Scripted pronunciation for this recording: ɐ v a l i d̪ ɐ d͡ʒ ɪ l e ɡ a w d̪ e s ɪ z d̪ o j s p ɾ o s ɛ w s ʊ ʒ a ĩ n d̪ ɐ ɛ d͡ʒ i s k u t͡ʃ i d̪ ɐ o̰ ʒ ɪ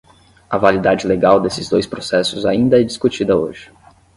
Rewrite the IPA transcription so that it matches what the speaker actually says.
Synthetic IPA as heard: ɐ v a l i d̪ a d͡ʒ ɪ l e ɡ a w d̪ e s ɪ z d̪ o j s p ɾ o s ɛ s ʊ z a ĩ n d̪ ɐ ɛ d͡ʒ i s k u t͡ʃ i d̪ ɐ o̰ ʒ ɪ